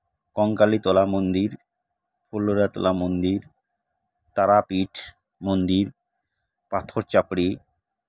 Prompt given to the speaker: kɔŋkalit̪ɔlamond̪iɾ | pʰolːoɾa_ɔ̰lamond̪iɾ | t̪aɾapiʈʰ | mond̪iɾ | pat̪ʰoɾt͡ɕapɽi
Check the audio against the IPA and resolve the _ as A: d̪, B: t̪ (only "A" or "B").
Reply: B